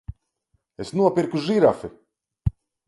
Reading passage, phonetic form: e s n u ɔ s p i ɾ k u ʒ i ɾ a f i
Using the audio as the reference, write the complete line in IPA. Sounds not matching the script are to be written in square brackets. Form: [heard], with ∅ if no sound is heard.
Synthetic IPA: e s n u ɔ [∅] p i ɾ k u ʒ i ɾ a f i